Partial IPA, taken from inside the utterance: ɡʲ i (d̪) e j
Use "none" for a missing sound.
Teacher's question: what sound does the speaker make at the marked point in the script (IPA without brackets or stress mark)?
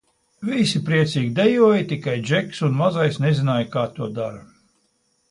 d̪